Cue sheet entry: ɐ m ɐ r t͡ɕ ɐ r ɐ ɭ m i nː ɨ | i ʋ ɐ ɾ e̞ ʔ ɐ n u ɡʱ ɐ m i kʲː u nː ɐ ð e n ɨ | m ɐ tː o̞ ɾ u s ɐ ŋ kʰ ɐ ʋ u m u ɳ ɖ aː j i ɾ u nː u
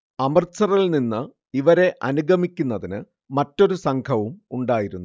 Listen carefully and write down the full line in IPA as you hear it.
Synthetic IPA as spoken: ɐ m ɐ r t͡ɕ ɐ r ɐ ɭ n i nː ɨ | i ʋ ɐ ɾ e̞ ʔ ɐ n u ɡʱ ɐ m i kʲː u nː ɐ ð i n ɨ | m ɐ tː o̞ ɾ u s ɐ ŋ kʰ ɐ ʋ u m u ɳ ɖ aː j i ɾ u nː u